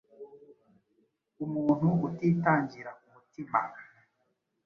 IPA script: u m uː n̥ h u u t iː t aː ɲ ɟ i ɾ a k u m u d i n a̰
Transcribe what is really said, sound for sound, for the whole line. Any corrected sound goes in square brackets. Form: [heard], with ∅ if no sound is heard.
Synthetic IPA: u m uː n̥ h u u t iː t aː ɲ ɟ i ɾ a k u m u [t] i [m] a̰